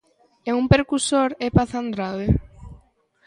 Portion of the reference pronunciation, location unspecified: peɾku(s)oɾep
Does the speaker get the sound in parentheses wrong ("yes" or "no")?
no